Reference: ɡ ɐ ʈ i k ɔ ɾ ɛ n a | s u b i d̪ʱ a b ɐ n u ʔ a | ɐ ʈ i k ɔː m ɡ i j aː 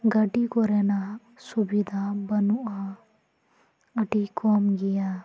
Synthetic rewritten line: ɡ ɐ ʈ i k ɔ ɾ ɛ n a | s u b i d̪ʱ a b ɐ n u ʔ a | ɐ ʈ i k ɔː m ɡ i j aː